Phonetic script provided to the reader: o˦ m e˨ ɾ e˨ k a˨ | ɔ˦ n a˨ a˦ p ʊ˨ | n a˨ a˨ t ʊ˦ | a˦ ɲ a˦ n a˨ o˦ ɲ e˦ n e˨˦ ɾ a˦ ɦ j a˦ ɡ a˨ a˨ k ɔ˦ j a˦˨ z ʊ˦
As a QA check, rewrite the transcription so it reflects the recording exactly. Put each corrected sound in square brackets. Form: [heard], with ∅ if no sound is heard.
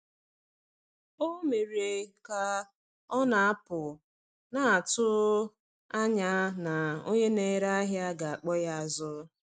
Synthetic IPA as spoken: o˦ m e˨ ɾ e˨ k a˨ | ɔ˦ n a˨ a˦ p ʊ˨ | n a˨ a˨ t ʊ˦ | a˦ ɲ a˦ n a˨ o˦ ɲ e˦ n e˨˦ ɾ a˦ ɦ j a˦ ɡ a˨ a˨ [k͡p] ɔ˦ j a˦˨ z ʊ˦